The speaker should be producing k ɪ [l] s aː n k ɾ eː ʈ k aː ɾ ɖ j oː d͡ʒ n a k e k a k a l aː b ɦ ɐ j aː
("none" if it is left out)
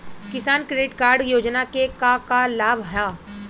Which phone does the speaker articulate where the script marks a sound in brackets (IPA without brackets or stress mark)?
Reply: none